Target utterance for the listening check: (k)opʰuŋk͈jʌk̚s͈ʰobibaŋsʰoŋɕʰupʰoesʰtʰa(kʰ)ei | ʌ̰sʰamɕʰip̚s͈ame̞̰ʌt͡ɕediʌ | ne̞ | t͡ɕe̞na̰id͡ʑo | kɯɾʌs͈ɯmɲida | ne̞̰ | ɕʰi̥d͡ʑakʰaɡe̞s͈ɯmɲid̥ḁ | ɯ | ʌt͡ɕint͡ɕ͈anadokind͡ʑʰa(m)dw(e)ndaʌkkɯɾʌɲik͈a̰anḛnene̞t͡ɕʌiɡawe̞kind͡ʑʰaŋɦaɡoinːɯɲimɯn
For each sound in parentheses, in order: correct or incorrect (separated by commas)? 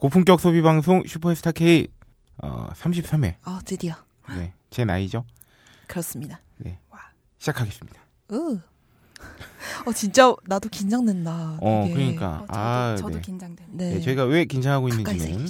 correct, correct, incorrect, correct